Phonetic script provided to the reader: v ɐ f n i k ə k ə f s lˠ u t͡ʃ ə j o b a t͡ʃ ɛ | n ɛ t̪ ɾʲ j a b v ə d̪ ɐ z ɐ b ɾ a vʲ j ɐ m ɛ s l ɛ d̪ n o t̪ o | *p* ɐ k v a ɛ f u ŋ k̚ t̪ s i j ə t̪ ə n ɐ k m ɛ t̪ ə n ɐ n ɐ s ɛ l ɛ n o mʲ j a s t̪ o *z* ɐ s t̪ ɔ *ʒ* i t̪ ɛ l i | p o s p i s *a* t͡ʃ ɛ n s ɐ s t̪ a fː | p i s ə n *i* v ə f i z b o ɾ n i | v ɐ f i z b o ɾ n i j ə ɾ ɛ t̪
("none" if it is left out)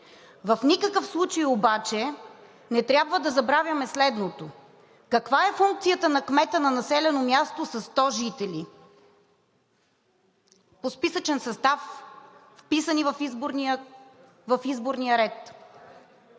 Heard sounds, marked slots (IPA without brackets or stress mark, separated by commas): k, s, ʒ, ə, i